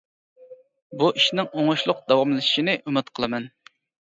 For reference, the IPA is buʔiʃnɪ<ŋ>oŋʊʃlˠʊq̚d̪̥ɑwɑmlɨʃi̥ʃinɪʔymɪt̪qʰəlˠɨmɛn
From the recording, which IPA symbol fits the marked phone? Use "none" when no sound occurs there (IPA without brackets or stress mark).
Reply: ŋ